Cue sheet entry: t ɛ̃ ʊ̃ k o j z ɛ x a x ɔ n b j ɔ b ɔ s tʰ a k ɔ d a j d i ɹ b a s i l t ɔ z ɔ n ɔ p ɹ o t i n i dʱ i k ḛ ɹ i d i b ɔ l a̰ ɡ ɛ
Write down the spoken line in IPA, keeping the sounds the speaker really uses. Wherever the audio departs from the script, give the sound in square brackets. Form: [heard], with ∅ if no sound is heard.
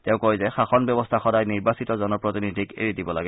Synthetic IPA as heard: t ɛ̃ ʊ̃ k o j z ɛ x a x ɔ n b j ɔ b ɔ s tʰ a [x] ɔ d a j [n] i ɹ b a s i [∅] t ɔ z ɔ n ɔ p ɹ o t i n i dʱ i k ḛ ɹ i d i b ɔ l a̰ ɡ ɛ